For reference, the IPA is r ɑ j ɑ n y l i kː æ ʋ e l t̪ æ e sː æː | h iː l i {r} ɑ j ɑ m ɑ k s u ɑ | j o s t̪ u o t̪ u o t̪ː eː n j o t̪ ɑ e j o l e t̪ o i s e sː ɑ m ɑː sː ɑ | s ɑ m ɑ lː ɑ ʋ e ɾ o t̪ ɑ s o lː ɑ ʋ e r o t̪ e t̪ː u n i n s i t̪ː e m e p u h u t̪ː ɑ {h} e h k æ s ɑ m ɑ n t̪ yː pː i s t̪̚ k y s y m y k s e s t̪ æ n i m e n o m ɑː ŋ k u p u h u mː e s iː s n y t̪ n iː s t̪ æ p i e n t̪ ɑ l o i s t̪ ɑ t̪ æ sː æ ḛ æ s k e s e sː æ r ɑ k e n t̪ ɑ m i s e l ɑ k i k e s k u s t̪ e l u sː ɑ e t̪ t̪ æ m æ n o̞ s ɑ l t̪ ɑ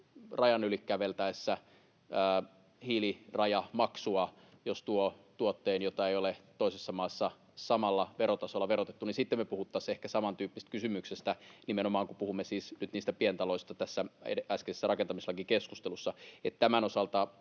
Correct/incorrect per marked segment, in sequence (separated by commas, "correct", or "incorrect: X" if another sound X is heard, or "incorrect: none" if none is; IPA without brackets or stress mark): correct, incorrect: s